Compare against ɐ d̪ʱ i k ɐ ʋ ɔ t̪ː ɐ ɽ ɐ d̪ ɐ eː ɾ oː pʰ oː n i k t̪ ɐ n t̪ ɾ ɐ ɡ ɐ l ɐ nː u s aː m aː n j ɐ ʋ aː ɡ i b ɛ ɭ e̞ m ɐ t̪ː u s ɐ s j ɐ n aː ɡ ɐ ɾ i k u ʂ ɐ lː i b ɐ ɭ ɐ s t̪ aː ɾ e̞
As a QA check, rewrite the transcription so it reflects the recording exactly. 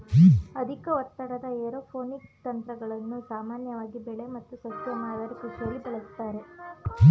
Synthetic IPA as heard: ɐ d̪ʱ i k ɐ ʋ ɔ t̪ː ɐ ɽ ɐ d̪ ɐ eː ɾ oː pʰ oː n i k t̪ ɐ n t̪ ɾ ɐ ɡ ɐ ɭ ɐ nː u s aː m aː n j ɐ ʋ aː ɡ i b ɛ ɭ e̞ m ɐ t̪ː u s ɐ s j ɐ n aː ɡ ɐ ɾ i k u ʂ ɐ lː i b ɐ ɭ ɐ s t̪ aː ɾ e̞